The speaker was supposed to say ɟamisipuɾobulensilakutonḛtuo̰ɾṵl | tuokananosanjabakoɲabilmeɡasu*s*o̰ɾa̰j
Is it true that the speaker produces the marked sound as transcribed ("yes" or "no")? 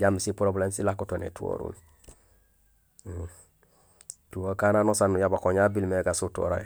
no